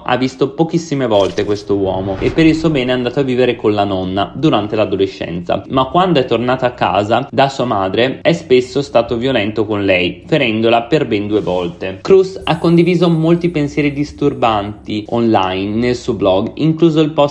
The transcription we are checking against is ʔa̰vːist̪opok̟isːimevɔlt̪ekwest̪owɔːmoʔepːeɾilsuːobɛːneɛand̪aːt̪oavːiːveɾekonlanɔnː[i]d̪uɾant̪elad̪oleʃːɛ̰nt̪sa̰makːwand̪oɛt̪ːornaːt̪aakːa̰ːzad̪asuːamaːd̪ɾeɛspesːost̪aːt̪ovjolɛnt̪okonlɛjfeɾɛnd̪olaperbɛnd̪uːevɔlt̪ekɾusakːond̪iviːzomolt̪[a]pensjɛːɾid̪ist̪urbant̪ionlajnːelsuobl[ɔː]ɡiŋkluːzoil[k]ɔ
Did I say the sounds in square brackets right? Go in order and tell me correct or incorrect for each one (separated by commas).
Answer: incorrect, incorrect, incorrect, incorrect